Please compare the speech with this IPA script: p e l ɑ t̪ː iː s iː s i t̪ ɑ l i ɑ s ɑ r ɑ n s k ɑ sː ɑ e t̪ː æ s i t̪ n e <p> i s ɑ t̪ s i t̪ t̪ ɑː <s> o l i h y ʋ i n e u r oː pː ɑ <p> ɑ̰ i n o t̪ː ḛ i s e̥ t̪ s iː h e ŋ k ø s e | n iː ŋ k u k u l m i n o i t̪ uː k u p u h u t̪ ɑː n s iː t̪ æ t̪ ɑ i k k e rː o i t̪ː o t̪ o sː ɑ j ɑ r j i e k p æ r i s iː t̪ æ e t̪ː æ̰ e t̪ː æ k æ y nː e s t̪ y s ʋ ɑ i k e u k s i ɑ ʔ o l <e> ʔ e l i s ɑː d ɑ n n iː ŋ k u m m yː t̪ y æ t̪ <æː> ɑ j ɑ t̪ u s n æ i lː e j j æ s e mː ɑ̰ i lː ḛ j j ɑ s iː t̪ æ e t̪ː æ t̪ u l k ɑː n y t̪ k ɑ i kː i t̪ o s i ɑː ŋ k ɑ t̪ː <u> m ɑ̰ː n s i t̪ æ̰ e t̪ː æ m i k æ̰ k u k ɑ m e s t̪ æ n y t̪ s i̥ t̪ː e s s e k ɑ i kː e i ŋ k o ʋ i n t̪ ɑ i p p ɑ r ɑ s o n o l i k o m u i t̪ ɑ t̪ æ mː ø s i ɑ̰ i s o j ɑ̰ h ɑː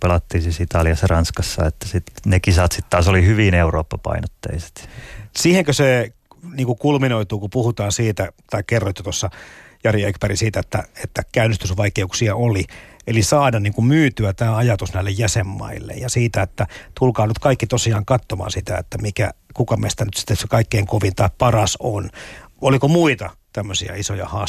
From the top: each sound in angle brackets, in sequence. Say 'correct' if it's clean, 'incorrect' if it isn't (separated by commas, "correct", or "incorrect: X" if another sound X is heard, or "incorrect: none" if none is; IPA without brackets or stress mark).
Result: incorrect: k, correct, correct, incorrect: i, correct, incorrect: o